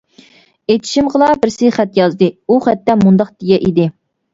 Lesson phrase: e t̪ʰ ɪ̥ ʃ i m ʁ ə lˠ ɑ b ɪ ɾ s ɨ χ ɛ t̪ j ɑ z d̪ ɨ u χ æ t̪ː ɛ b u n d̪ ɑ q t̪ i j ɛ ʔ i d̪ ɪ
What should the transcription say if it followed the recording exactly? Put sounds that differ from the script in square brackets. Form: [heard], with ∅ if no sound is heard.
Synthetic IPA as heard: e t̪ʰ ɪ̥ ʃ i m ʁ ə lˠ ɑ b ɪ ɾ s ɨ χ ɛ t̪ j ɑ z d̪ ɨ u χ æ t̪ː ɛ [m] u n d̪ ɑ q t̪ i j ɛ ʔ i d̪ ɪ

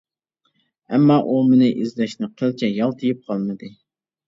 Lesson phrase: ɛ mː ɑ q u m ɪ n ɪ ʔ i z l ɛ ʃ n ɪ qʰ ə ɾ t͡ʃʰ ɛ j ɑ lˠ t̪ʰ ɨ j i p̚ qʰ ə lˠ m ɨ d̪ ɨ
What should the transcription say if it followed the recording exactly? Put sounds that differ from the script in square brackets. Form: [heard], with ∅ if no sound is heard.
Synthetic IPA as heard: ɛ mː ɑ [ʔ] u m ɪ n ɪ ʔ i z l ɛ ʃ n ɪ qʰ ə [l] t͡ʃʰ ɛ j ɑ lˠ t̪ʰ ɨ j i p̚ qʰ [ɑ] lˠ m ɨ d̪ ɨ

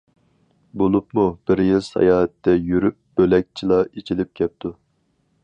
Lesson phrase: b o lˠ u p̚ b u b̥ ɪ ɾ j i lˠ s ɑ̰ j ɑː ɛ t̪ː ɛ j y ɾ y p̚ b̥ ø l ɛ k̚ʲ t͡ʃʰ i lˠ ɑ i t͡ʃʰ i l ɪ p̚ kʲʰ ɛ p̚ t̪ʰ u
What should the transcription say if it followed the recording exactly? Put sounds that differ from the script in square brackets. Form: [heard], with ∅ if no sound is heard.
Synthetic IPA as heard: b o lˠ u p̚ [m] u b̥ ɪ ɾ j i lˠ s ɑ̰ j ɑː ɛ t̪ː ɛ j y ɾ y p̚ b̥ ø l ɛ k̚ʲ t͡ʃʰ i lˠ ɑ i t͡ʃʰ i l ɪ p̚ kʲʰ ɛ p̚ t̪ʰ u

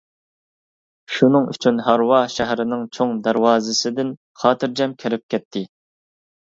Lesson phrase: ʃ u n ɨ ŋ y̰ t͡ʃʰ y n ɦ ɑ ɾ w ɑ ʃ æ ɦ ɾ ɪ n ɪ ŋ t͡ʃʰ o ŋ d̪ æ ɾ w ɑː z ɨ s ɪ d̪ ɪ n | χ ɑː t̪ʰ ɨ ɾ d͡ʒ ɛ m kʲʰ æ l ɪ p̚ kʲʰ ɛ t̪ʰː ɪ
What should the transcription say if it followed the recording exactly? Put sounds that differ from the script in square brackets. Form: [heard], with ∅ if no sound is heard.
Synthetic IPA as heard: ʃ u n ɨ ŋ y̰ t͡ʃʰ y n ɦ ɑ ɾ w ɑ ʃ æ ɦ ɾ ɪ n ɪ ŋ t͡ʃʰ o ŋ d̪ æ ɾ w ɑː z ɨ s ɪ d̪ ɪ n | χ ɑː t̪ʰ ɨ ɾ d͡ʒ ɛ m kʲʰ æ [ɾ] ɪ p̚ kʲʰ ɛ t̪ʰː ɪ

